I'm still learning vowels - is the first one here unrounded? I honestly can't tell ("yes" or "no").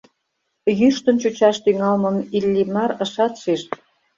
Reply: no